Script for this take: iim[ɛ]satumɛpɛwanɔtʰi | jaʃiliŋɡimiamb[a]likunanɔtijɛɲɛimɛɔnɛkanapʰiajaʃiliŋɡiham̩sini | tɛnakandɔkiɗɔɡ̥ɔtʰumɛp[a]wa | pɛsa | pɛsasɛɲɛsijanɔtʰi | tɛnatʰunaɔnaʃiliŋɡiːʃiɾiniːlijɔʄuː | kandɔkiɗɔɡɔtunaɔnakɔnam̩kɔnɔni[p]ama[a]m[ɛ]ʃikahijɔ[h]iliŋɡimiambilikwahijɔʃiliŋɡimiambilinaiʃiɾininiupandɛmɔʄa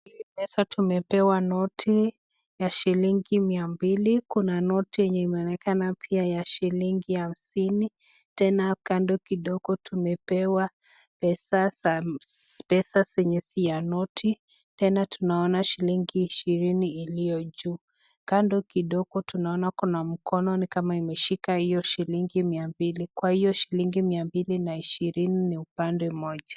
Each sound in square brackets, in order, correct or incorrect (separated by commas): correct, incorrect, incorrect, incorrect, incorrect, correct, incorrect